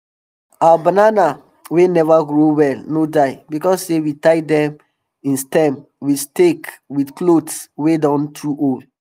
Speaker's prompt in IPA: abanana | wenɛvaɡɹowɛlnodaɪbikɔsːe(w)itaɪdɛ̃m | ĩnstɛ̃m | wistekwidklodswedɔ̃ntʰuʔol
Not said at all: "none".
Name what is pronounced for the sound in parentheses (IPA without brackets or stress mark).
w